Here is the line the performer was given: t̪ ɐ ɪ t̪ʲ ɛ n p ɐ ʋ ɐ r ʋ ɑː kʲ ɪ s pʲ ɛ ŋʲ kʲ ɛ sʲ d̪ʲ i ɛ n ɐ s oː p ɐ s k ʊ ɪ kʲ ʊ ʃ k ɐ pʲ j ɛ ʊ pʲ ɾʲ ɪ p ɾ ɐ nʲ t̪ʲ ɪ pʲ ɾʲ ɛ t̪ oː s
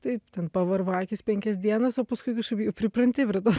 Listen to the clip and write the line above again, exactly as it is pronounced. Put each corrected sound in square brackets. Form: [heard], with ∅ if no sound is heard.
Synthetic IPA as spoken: t̪ ɐ ɪ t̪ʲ ɛ n p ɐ ʋ ɐ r ʋ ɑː kʲ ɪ s pʲ ɛ ŋʲ kʲ ɛ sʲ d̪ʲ i ɛ n ɐ s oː p ɐ s k ʊ ɪ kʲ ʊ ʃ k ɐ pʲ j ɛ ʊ pʲ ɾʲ ɪ p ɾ ɐ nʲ t̪ʲ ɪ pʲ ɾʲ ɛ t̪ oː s

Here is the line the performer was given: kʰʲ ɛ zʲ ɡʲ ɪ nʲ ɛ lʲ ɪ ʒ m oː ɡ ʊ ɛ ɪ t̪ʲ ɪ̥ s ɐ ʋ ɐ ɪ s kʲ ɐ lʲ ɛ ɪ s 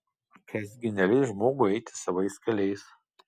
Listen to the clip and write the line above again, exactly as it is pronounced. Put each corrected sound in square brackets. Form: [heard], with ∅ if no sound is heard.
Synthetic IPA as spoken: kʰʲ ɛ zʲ ɡʲ ɪ nʲ ɛ lʲ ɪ ʒ m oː ɡ ʊ ɛ ɪ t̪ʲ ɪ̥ s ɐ ʋ ɐ ɪ s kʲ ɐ lʲ ɛ ɪ s

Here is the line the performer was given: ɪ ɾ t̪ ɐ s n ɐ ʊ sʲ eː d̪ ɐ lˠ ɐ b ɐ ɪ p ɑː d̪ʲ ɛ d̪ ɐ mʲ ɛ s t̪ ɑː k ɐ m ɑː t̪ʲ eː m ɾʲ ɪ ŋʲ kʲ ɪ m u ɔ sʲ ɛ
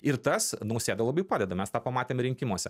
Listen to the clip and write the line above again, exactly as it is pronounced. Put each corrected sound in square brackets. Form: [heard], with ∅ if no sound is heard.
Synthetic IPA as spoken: ɪ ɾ t̪ ɐ s n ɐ ʊ sʲ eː d̪ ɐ lˠ ɐ b ɐ ɪ p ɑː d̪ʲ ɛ d̪ ɐ mʲ ɛ s t̪ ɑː [p] ɐ m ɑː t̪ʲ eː m ɾʲ ɪ ŋʲ kʲ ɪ m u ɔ sʲ ɛ

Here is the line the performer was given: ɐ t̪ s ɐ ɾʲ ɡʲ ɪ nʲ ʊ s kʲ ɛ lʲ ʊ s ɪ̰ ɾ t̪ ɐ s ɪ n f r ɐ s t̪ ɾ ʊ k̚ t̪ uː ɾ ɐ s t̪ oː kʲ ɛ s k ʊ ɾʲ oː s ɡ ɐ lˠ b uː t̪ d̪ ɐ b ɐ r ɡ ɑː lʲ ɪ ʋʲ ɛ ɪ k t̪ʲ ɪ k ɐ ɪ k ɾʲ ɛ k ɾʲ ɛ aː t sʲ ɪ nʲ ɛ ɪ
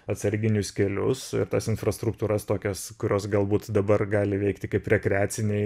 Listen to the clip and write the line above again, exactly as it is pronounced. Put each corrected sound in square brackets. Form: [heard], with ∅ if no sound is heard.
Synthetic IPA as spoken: ɐ t̪ s ɐ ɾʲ ɡʲ ɪ nʲ ʊ s kʲ ɛ lʲ ʊ s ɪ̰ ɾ t̪ ɐ s ɪ n f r ɐ s t̪ ɾ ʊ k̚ t̪ uː ɾ ɐ s t̪ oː kʲ ɛ s k ʊ ɾʲ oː s ɡ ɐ lˠ b uː t̪ d̪ ɐ b ɐ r ɡ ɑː lʲ ɪ ʋʲ ɛ ɪ k t̪ʲ ɪ k ɐ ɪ [p] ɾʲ ɛ k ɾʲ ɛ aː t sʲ ɪ nʲ ɛ ɪ

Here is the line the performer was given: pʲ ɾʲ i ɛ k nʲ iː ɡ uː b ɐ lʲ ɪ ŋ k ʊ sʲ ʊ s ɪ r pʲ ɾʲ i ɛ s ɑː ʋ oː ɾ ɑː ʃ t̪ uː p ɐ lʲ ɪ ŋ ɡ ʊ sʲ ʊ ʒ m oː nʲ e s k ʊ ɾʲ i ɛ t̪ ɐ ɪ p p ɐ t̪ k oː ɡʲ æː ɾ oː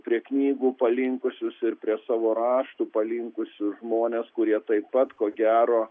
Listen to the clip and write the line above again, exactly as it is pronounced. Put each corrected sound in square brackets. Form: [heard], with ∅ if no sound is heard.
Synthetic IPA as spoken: pʲ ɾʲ i ɛ k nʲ iː ɡ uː [p] ɐ lʲ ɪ ŋ k ʊ sʲ ʊ s ɪ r pʲ ɾʲ i ɛ s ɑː ʋ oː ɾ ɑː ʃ t̪ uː p ɐ lʲ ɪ ŋ [k] ʊ sʲ ʊ ʒ m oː nʲ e s k ʊ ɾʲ i ɛ t̪ ɐ ɪ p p ɐ t̪ k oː ɡʲ æː ɾ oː

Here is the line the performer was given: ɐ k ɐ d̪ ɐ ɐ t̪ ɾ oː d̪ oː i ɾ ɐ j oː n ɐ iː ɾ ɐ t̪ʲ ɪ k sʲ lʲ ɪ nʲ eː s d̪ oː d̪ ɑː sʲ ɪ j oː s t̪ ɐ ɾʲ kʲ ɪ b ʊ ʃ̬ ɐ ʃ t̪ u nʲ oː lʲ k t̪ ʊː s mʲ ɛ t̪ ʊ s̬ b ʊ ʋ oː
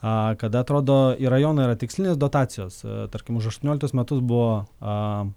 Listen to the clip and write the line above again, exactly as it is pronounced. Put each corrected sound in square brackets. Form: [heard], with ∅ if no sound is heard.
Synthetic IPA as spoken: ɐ k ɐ d̪ ɐ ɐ t̪ ɾ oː d̪ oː i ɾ ɐ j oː n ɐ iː ɾ ɐ t̪ʲ ɪ k sʲ lʲ ɪ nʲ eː s d̪ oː [t̪] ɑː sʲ ɪ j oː s t̪ ɐ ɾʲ kʲ ɪ [m] ʊ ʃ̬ ɐ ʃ t̪ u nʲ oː lʲ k t̪ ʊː s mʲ ɛ t̪ ʊ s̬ b ʊ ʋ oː

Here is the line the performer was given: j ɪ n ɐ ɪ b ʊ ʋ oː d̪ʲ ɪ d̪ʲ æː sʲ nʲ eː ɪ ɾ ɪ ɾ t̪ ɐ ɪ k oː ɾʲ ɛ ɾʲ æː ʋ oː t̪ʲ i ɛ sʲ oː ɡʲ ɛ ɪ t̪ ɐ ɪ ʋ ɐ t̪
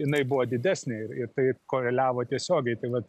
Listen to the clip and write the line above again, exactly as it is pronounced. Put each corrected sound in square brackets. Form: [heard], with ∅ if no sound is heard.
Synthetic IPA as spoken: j ɪ n ɐ ɪ b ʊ ʋ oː d̪ʲ ɪ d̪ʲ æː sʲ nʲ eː ɪ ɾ ɪ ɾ t̪ ɐ ɪ k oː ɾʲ ɛ [lʲ] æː ʋ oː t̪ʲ i ɛ sʲ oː ɡʲ ɛ ɪ t̪ ɐ ɪ ʋ ɐ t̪

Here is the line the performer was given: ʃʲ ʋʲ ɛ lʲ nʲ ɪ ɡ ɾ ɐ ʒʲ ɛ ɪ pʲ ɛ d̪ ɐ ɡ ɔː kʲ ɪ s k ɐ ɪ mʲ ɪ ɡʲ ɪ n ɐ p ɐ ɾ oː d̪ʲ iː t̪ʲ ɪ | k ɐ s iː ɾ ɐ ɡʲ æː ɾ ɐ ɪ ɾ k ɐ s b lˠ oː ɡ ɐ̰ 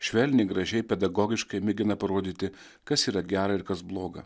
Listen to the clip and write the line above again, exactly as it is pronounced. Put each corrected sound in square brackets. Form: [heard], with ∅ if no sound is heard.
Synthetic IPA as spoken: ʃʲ ʋʲ ɛ lʲ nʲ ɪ ɡ ɾ ɐ ʒʲ ɛ ɪ pʲ ɛ d̪ ɐ ɡ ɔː [ɡʲ] ɪ [ʃ] k ɐ ɪ mʲ ɪ ɡʲ ɪ n ɐ p ɐ ɾ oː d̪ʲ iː t̪ʲ ɪ | k ɐ s iː ɾ ɐ ɡʲ æː ɾ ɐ ɪ ɾ k ɐ s b lˠ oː ɡ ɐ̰

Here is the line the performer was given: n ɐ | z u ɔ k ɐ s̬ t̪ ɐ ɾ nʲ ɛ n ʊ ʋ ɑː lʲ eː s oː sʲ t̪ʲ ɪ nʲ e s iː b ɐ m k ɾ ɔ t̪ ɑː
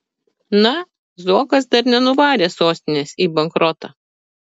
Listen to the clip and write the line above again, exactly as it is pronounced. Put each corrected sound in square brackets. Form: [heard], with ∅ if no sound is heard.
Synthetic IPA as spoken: n ɐ | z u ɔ k ɐ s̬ [d̪] ɐ ɾ nʲ ɛ n ʊ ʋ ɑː [ɾʲ] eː s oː sʲ t̪ʲ ɪ nʲ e s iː b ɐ [ŋ] k ɾ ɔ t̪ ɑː

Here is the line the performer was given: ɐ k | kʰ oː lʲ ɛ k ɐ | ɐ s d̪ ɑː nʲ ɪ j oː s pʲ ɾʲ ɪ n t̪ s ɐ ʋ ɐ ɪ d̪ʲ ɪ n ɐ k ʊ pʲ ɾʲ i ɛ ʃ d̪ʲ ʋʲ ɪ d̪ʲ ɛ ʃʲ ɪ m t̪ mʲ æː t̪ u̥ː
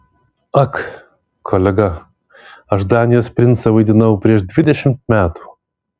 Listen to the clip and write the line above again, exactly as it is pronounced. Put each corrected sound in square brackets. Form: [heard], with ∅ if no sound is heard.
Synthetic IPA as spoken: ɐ k | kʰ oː lʲ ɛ [ɡ] ɐ | ɐ [ʃ] d̪ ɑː nʲ ɪ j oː s pʲ ɾʲ ɪ n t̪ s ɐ ʋ ɐ ɪ d̪ʲ ɪ n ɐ [∅] ʊ pʲ ɾʲ i ɛ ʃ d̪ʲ ʋʲ ɪ d̪ʲ ɛ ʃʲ ɪ m t̪ mʲ æː t̪ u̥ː

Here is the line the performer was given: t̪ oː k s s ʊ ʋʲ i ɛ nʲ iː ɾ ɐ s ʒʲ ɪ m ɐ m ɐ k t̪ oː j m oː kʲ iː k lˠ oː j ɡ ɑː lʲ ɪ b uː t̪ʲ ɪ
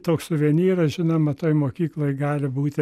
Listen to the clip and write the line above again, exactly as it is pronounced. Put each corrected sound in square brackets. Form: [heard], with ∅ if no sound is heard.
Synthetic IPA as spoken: t̪ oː k s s ʊ ʋʲ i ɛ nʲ iː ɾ ɐ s ʒʲ ɪ [n] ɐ m ɐ [∅] t̪ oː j m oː kʲ iː k lˠ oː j ɡ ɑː lʲ ɪ b uː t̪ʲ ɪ

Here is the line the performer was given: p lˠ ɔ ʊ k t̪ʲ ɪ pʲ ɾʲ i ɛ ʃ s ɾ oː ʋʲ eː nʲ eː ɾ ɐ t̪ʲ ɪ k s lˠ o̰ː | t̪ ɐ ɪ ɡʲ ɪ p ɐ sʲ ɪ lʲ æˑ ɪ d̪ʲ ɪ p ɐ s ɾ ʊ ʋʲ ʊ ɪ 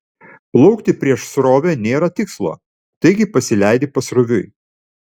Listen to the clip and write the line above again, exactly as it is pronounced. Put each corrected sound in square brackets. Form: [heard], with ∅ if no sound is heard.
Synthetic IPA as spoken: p lˠ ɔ ʊ k t̪ʲ ɪ pʲ ɾʲ i ɛ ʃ s ɾ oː ʋʲ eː nʲ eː ɾ ɐ t̪ʲ ɪ k s lˠ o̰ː | t̪ ɐ ɪ ɡʲ ɪ p ɐ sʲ ɪ lʲ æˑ ɪ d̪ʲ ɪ p ɐ s ɾ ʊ ʋʲ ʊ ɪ

